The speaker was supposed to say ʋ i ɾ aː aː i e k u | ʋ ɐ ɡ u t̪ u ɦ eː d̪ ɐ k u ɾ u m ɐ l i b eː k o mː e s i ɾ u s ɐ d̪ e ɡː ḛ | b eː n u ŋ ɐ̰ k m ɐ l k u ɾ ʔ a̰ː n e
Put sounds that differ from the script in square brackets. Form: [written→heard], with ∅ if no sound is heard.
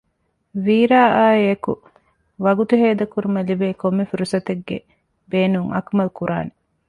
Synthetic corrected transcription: ʋ [i→iː] ɾ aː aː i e k u | ʋ ɐ ɡ u t̪ u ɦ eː d̪ ɐ k u ɾ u m ɐ l i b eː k o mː e [s→f] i ɾ u s ɐ [d̪→t̪] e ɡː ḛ | b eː n u ŋ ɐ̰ k m ɐ l k u ɾ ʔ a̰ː n e